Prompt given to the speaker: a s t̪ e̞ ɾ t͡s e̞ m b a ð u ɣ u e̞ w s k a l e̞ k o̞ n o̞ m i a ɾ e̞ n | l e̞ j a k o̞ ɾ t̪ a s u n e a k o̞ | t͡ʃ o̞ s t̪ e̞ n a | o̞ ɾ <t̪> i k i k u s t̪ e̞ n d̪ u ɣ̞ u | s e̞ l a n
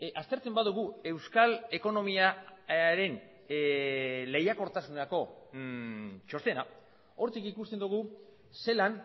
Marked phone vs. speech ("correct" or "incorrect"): correct